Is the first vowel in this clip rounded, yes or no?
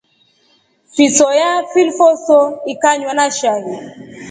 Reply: no